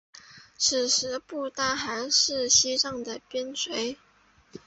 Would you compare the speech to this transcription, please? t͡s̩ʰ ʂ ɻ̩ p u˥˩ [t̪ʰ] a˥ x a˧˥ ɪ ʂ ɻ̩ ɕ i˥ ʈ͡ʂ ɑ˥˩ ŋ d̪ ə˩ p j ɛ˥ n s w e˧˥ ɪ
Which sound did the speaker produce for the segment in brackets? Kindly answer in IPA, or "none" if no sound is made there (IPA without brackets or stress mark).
t̪